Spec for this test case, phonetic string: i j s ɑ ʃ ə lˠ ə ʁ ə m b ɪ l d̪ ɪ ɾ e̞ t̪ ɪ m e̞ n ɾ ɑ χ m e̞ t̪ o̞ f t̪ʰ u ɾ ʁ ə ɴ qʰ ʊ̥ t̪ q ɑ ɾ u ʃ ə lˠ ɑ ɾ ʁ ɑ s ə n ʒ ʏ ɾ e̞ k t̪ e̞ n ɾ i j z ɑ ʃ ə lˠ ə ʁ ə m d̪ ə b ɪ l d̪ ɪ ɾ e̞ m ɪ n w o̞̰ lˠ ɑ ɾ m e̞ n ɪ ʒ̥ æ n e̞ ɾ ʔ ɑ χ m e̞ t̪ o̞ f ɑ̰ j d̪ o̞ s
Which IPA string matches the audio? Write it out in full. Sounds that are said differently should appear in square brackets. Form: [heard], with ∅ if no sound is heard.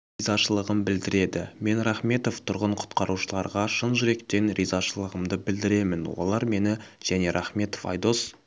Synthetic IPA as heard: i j [z] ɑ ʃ ə lˠ ə ʁ ə m b ɪ l d̪ ɪ ɾ e̞ [d̪] ɪ m e̞ n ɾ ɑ χ m e̞ t̪ o̞ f t̪ʰ [ʊ] ɾ ʁ ə ɴ qʰ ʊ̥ t̪ q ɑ ɾ u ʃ ə lˠ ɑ ɾ ʁ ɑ [ʃ] ə n ʒ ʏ ɾ e̞ k t̪ e̞ n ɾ i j z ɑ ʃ ə lˠ ə ʁ ə m d̪ ə b ɪ l d̪ ɪ ɾ e̞ m ɪ n w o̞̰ lˠ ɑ ɾ m e̞ n ɪ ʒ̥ æ n e̞ ɾ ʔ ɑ χ m e̞ t̪ o̞ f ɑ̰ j d̪ o̞ s